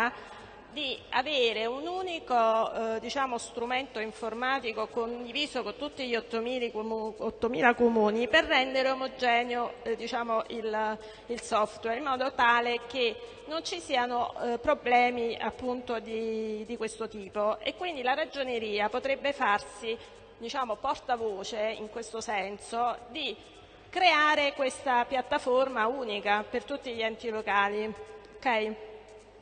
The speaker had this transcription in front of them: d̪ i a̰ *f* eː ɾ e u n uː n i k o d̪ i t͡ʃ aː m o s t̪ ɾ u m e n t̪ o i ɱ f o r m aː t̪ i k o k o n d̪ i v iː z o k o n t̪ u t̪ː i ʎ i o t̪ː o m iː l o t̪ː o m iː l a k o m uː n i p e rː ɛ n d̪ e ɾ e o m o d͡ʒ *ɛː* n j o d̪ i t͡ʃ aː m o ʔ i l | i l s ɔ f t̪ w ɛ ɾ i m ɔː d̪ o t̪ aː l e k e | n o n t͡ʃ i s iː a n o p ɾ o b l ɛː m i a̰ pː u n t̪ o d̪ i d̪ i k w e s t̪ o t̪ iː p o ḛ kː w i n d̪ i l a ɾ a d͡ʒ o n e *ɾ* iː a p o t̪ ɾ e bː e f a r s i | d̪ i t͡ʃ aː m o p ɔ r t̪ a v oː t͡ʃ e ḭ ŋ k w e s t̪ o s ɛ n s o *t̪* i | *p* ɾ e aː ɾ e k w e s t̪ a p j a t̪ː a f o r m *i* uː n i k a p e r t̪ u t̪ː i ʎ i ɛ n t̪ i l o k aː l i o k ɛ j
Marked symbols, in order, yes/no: no, yes, yes, no, no, no

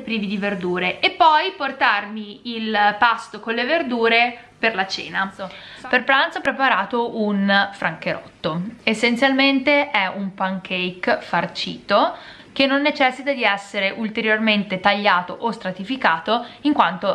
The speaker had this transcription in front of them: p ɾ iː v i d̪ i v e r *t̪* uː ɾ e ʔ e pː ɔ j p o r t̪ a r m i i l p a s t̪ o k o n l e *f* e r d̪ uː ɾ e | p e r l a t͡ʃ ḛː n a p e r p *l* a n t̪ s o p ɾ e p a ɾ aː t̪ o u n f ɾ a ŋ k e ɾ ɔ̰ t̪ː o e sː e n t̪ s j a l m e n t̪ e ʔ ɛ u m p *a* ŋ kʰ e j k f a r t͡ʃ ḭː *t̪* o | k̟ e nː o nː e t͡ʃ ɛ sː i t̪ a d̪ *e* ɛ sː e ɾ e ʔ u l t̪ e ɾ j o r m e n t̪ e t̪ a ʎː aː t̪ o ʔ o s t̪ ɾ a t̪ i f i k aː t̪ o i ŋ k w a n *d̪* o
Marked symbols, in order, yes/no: no, no, no, yes, yes, no, no

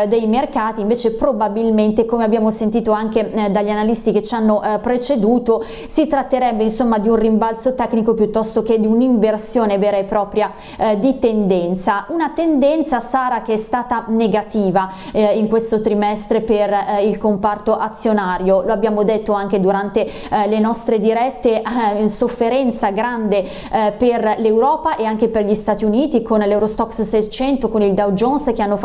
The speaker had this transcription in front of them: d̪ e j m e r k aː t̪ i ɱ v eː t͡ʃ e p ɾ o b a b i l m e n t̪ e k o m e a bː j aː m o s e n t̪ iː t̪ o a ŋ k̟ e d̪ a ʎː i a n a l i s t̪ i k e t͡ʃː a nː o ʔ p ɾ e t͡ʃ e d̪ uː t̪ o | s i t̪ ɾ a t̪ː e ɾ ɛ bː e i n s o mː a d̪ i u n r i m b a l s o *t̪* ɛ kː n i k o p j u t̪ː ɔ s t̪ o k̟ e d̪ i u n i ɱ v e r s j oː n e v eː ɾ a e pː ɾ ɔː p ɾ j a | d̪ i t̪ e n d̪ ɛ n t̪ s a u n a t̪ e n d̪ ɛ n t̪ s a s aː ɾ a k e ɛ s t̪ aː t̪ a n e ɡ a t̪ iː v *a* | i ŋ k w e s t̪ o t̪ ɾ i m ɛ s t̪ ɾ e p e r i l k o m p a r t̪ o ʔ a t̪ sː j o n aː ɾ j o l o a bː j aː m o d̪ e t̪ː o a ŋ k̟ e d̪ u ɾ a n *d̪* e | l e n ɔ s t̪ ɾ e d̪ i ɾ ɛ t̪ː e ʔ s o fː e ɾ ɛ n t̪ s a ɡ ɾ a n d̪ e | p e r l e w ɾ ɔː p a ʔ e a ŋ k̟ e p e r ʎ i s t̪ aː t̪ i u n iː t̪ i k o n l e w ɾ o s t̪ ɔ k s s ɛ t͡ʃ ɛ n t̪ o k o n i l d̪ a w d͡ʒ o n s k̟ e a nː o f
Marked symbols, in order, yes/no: yes, yes, no

